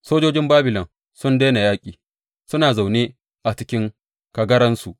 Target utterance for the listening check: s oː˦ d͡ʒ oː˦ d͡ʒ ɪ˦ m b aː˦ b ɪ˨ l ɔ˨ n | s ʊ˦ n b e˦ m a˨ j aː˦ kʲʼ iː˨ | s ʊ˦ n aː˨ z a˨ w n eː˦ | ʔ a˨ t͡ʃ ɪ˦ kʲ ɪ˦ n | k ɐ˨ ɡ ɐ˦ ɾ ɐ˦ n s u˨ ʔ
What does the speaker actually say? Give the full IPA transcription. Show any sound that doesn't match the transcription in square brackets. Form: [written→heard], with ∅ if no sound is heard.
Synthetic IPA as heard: s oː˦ d͡ʒ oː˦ d͡ʒ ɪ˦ m b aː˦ b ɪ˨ l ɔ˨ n | s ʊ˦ n [b→d] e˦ [m→n] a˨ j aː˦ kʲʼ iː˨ | s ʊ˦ n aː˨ z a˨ w n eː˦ | ʔ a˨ t͡ʃ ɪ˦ kʲ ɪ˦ [n→ŋ] | k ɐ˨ ɡ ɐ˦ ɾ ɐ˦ n s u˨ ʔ